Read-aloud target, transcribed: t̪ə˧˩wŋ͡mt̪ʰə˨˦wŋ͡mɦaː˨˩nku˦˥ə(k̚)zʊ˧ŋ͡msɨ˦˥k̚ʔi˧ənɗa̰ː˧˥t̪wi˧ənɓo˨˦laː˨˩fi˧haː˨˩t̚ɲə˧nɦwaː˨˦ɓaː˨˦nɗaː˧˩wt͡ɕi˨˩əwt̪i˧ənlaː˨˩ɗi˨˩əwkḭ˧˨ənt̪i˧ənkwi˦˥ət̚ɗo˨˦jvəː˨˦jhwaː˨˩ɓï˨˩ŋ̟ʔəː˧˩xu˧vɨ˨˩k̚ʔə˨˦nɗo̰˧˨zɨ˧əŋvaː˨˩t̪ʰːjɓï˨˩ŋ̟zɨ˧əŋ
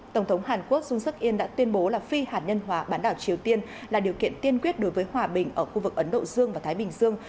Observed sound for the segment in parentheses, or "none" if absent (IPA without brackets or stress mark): k̚